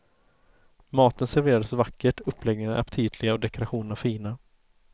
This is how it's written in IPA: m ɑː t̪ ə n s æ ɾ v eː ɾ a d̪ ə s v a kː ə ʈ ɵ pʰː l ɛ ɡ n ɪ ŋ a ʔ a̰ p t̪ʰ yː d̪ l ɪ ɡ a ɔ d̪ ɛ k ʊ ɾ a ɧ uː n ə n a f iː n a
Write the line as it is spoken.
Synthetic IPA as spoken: m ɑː t̪ ə n s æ ɾ v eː ɾ a d̪ ə s v a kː ə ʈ ɵ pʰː l ɛ ɡ n ɪ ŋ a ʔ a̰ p t̪ʰ iː d̪ l ɪ ɡ a ɔ d̪ ɛ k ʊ ɾ a ɧ uː n ə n a f iː n a